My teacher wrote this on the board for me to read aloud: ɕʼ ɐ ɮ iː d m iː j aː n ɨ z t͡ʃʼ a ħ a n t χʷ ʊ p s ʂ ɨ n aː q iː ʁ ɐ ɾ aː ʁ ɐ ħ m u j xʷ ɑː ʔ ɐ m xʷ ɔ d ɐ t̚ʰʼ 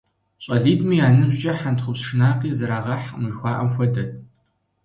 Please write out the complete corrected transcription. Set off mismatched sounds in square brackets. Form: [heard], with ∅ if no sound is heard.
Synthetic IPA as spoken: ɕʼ ɐ ɮ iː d m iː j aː n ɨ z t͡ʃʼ [ɐ] ħ a n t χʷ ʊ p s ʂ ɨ n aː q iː [z] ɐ ɾ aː ʁ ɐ ħ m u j xʷ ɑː ʔ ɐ m xʷ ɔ d ɐ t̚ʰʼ